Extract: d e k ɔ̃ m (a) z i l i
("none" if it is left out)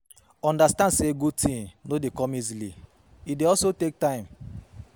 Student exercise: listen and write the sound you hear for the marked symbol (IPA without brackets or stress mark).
i